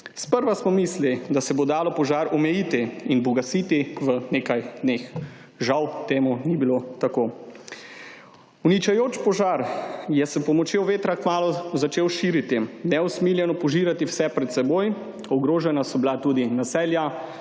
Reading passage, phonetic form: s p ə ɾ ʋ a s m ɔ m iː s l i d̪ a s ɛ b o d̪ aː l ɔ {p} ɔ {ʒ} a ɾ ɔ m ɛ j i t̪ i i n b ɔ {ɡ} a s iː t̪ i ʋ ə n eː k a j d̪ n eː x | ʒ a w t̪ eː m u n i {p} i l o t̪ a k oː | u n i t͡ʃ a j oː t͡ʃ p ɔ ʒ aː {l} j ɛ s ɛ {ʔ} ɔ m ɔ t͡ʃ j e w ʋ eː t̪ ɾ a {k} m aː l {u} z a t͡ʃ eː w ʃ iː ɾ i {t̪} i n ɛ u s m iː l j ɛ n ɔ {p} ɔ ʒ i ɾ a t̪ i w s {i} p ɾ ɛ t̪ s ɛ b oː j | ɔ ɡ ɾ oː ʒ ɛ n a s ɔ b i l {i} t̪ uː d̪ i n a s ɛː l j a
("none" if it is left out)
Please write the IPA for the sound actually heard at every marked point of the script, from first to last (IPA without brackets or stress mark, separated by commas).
p, ʒ, ɡ, b, ɾ, p, k, ɔ, t̪, p, ɛ, a